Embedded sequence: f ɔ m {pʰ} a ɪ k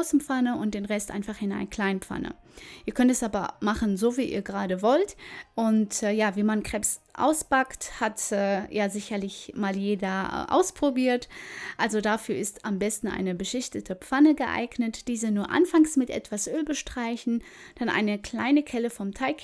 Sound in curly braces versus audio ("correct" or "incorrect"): incorrect